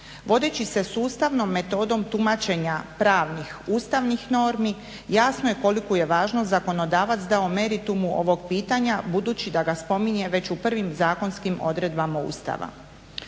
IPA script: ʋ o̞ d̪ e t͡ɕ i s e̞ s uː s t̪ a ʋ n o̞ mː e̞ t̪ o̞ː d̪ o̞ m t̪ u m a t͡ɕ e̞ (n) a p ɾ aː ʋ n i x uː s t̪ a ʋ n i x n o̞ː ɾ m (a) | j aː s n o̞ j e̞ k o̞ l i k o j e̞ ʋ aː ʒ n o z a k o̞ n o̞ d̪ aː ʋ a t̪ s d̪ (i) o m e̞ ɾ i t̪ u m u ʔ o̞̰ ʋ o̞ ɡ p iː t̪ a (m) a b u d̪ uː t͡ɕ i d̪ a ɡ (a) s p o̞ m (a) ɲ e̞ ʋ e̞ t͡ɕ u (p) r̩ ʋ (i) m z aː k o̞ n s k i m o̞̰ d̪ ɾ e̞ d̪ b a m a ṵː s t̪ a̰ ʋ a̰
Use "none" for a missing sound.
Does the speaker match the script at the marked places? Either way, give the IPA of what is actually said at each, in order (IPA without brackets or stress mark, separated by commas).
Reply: ɲ, i, a, ɲ, a, i, p, i